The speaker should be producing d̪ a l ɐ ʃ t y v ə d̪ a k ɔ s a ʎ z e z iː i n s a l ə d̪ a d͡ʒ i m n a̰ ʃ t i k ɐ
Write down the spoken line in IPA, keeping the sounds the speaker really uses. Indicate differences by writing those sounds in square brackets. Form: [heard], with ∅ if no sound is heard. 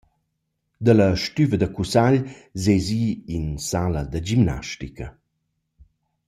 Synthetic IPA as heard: d̪ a l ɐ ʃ t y v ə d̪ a k [u] s a ʎ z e z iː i n s a l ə d̪ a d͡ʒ i m n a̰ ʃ t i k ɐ

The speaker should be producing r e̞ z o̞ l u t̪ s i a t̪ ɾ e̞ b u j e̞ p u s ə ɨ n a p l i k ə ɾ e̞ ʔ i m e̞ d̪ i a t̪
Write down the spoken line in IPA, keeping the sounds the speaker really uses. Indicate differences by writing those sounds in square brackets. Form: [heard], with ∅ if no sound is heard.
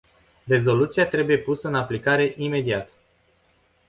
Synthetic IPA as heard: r e̞ z o̞ l u t̪ s i a t̪ ɾ e̞ b u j e̞ p u s ə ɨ n a p l i k [a] ɾ e̞ ʔ i m e̞ d̪ i a t̪

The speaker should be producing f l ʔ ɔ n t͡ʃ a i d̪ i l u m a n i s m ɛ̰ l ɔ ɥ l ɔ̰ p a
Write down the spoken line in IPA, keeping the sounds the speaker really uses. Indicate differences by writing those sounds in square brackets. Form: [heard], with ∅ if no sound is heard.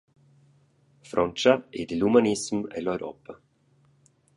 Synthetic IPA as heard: f [ɾ] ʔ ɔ n t͡ʃ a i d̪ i l u m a n i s m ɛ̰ l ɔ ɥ [ɾ] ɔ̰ p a

